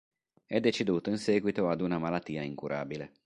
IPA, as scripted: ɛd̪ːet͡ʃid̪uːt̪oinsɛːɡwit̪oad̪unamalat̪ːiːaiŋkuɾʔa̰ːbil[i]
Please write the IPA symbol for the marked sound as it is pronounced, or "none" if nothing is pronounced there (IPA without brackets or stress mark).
e